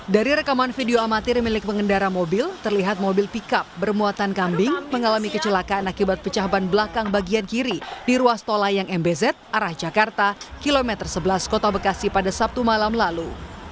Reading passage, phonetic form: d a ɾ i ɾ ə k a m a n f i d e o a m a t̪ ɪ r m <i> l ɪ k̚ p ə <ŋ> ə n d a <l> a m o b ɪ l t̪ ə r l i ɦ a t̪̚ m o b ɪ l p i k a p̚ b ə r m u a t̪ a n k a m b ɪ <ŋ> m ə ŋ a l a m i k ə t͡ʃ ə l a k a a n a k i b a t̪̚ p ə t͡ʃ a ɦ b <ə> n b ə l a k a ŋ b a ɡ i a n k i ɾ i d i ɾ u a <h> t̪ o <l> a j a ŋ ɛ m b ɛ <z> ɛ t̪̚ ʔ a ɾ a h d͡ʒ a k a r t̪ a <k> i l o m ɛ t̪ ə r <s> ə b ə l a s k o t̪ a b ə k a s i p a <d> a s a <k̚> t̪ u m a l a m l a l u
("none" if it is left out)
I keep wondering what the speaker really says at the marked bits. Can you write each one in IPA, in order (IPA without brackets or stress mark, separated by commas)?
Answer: i, ŋ, ɾ, ŋ, a, s, l, z, k, s, d, p̚